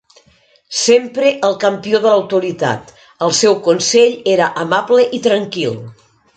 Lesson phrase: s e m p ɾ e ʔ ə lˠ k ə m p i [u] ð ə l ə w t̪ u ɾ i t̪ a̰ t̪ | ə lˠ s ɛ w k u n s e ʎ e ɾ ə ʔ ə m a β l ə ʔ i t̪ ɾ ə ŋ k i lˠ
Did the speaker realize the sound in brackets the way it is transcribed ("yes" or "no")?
no